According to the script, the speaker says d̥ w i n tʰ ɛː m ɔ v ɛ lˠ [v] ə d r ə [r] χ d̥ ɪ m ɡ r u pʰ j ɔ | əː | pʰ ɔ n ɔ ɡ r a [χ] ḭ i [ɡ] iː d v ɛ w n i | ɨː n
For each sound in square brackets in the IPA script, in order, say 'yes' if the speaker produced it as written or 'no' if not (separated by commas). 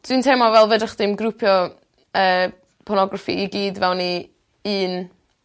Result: yes, no, no, yes